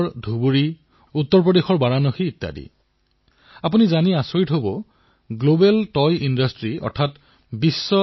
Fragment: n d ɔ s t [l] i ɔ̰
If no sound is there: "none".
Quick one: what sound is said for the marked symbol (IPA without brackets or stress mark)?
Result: ɹ